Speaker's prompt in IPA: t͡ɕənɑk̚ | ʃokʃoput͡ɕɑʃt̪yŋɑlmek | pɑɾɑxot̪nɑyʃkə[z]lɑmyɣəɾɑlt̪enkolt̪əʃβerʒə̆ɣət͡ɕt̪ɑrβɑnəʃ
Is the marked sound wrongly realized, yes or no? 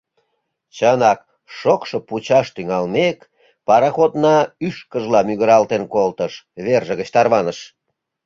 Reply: yes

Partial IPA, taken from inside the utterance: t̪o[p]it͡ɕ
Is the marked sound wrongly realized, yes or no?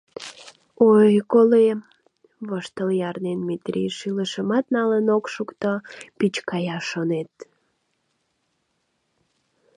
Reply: no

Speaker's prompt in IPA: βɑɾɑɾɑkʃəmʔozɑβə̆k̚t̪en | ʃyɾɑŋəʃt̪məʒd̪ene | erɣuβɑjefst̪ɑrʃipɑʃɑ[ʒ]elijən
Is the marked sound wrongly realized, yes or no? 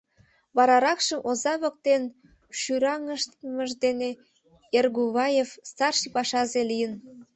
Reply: yes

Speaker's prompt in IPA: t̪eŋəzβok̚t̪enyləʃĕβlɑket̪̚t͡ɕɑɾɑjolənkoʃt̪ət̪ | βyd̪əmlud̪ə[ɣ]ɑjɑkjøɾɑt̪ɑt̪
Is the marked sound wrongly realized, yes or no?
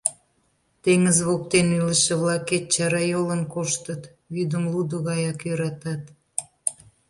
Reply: no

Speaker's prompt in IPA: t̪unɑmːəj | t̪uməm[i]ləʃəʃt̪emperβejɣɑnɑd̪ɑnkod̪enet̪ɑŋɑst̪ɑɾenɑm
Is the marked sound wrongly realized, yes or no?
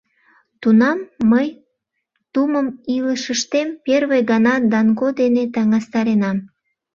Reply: no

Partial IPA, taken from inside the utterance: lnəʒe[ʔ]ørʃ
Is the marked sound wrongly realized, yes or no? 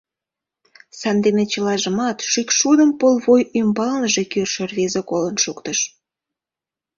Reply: yes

